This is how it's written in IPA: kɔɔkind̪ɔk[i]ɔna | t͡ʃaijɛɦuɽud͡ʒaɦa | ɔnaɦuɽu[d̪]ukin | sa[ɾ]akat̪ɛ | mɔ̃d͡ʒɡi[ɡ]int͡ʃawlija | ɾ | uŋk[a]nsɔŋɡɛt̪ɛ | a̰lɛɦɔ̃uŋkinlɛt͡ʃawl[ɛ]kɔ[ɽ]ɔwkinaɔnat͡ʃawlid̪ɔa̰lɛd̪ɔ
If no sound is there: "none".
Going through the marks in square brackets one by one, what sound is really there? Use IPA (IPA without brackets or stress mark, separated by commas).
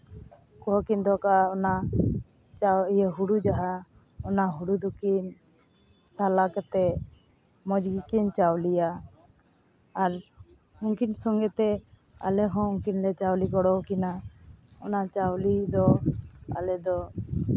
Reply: a, d̪, l, k, i, i, ɽ